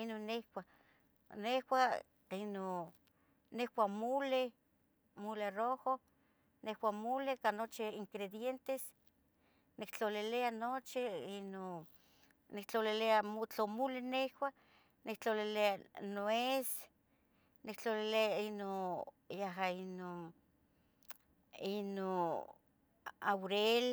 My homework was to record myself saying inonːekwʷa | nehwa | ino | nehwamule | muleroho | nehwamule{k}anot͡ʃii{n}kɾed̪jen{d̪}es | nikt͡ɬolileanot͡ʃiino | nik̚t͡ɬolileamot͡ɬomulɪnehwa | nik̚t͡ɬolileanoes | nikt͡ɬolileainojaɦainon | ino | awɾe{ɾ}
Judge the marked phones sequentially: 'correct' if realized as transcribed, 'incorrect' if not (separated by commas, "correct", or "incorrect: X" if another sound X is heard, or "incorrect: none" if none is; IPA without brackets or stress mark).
correct, incorrect: ŋ, incorrect: t̪, incorrect: l